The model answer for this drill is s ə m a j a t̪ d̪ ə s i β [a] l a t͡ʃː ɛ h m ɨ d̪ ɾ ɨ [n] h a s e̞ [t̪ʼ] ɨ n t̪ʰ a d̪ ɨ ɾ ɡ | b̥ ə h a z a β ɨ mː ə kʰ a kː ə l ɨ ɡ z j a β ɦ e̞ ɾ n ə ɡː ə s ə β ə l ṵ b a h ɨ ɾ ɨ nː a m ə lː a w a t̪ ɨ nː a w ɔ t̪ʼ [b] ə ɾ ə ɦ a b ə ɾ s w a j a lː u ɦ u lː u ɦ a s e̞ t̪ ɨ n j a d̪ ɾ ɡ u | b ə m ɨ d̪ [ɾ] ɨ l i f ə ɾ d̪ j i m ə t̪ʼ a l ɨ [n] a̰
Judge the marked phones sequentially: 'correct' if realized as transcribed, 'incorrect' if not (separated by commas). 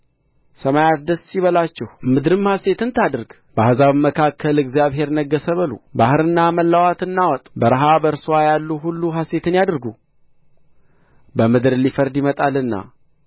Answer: incorrect, incorrect, incorrect, correct, correct, incorrect